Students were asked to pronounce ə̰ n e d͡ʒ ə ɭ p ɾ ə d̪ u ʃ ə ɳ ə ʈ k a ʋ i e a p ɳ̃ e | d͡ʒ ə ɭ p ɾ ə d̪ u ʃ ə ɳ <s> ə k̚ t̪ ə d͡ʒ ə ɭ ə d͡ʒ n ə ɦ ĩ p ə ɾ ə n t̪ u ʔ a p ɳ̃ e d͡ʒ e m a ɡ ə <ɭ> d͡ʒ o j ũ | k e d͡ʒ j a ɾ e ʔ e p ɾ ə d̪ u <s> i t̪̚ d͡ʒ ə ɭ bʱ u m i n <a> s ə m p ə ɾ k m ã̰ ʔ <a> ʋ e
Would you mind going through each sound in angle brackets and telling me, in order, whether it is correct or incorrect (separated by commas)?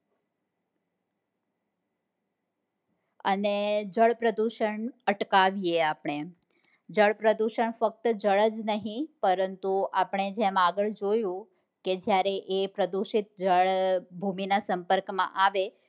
incorrect, correct, incorrect, correct, correct